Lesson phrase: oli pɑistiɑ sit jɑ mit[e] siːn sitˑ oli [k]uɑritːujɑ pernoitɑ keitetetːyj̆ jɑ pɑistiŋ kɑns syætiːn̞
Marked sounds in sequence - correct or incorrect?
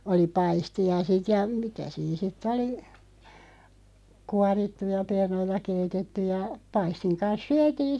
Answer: incorrect, correct

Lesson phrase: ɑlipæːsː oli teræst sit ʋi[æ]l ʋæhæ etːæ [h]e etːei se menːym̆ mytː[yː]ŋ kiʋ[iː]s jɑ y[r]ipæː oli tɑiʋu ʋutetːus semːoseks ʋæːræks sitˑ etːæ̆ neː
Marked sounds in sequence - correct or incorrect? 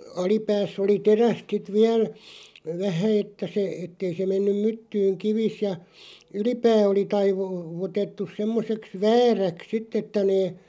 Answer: correct, incorrect, correct, incorrect, incorrect

